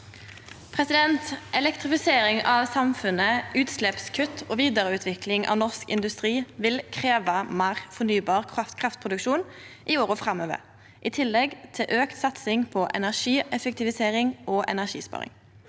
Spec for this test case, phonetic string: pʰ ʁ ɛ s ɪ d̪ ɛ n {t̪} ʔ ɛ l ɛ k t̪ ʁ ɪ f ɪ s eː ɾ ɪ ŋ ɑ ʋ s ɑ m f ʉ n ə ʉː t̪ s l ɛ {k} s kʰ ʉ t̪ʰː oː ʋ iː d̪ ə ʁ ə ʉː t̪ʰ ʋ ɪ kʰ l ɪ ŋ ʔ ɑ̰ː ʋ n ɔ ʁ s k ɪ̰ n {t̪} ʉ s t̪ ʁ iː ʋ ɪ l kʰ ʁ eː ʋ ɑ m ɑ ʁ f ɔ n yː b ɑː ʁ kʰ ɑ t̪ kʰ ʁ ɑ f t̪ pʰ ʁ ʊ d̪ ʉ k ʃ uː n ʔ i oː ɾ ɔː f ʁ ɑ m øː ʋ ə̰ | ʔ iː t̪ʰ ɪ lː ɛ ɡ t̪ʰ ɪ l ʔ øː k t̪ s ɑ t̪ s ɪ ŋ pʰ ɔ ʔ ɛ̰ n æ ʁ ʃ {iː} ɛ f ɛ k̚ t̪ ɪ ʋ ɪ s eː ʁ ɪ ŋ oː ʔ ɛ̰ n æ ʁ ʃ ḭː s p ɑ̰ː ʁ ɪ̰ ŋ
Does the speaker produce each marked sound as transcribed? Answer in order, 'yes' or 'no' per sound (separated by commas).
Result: yes, no, no, yes